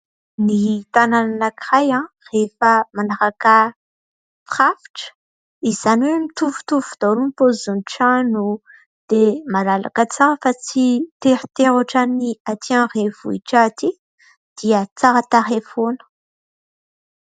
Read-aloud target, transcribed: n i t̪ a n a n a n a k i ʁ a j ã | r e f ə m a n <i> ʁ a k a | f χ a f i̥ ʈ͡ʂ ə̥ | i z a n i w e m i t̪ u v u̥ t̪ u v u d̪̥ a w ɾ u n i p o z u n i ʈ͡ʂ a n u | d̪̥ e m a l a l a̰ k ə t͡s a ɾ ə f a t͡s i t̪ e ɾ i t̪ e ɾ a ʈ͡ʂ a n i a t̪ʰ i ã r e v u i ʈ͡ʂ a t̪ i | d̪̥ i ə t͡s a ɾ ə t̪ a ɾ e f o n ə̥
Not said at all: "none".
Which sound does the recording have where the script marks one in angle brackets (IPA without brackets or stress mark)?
a